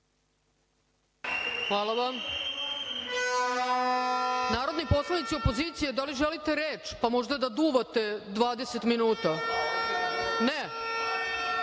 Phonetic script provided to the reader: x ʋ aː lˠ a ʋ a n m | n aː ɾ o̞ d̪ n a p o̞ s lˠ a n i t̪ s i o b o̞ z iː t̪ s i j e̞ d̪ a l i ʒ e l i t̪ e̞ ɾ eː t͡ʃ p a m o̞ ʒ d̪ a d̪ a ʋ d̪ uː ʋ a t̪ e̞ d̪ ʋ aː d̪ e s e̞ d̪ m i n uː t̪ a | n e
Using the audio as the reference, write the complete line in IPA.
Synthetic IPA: x ʋ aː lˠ a ʋ a m | n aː ɾ o̞ d̪ n i p o̞ s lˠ a n i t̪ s i o p o̞ z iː t̪ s i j e̞ d̪ a l i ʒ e l i t̪ e̞ ɾ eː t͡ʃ p a m o̞ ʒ d̪ a d̪ a d̪ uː ʋ a t̪ e̞ d̪ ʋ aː d̪ e s e̞ t̪ m i n uː t̪ a | n e